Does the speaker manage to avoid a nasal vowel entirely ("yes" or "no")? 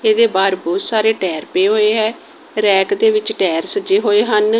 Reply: yes